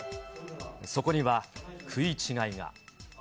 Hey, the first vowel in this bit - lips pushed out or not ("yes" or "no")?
yes